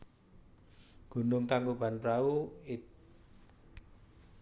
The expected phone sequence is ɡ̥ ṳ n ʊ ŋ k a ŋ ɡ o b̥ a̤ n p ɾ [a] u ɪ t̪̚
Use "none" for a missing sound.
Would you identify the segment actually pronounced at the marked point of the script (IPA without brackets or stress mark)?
a